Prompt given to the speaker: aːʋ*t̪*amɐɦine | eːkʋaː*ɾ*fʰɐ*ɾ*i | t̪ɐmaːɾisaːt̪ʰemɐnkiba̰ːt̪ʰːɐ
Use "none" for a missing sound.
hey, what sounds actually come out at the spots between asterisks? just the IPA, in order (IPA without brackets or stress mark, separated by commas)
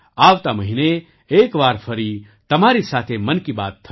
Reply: t̪, ɾ, ɾ